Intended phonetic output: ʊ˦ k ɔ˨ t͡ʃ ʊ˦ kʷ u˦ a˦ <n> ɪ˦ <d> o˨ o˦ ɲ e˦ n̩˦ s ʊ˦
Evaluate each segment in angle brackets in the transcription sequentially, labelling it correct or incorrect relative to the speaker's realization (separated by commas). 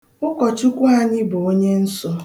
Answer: incorrect, incorrect